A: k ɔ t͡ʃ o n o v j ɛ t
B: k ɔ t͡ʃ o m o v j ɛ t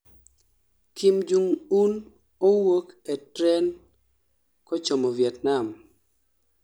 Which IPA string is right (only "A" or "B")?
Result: B